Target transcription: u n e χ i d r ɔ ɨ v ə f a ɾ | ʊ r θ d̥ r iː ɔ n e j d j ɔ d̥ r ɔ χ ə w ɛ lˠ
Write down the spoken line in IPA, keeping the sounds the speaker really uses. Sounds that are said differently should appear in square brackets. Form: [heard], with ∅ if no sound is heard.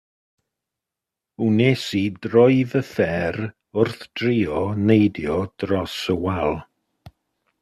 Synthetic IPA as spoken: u n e [s] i d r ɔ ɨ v ə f [ɛ] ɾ | ʊ r θ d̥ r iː ɔ n e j d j ɔ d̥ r ɔ [s] ə w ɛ lˠ